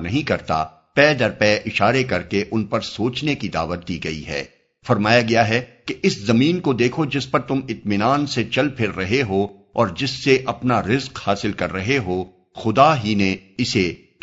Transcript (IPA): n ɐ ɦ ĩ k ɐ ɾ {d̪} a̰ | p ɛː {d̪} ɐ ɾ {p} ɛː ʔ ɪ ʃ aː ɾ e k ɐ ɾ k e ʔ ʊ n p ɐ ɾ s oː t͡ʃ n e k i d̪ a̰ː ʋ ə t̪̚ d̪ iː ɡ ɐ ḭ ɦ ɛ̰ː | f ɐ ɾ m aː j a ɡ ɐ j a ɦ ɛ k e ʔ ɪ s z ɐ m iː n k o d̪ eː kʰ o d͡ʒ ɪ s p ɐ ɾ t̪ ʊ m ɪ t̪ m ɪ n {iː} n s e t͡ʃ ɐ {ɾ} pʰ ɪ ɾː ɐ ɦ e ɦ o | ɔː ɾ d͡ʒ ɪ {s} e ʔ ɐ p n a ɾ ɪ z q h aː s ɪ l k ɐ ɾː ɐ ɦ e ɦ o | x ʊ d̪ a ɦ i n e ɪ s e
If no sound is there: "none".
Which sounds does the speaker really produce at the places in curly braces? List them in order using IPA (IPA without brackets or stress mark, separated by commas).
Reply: t̪, d̪, p, aː, l, sː